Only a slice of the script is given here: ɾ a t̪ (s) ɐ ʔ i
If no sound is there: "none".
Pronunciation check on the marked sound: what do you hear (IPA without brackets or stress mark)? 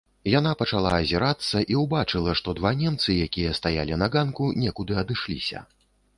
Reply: sː